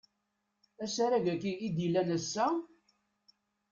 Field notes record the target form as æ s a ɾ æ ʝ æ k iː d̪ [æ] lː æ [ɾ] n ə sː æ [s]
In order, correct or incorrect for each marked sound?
incorrect, incorrect, incorrect

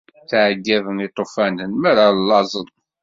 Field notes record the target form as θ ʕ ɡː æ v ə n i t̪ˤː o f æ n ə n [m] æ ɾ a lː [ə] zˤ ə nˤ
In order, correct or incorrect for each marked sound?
correct, incorrect

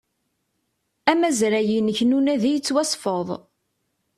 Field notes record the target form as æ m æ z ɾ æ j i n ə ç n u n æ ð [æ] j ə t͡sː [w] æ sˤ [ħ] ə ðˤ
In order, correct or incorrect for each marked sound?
incorrect, correct, incorrect

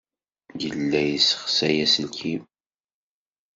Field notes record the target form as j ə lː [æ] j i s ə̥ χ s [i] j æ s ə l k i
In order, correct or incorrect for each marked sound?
correct, incorrect

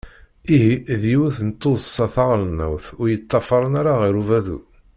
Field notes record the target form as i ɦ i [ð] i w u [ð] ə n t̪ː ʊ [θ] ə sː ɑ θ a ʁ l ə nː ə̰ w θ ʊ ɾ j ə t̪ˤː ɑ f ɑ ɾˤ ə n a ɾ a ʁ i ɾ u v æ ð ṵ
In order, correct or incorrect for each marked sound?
correct, incorrect, incorrect

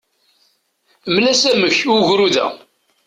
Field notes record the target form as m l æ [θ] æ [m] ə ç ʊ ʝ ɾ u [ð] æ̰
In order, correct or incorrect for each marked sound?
incorrect, correct, correct

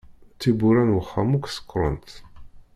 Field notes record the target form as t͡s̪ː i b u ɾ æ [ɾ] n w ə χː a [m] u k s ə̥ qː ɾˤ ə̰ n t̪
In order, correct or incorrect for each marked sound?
incorrect, correct

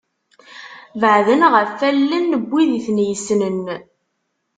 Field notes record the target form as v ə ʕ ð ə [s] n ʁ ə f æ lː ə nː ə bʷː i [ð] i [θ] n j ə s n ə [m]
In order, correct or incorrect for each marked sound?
incorrect, correct, correct, incorrect

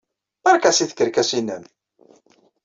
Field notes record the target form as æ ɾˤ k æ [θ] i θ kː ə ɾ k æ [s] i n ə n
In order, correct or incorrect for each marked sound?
incorrect, correct

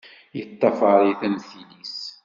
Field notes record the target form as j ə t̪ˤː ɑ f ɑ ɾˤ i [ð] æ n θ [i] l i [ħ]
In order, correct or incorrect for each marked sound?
incorrect, correct, incorrect

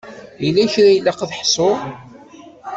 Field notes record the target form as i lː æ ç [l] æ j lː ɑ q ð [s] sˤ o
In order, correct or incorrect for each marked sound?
incorrect, incorrect

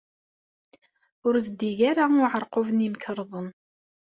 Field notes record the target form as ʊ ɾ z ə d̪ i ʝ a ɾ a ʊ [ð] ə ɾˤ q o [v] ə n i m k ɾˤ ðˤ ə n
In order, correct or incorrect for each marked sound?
incorrect, correct

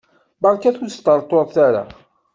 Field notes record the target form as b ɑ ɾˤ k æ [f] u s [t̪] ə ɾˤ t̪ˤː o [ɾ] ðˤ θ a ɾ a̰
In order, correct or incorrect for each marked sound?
incorrect, correct, incorrect

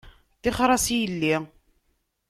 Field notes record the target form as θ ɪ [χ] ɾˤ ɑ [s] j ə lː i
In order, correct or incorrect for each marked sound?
correct, correct

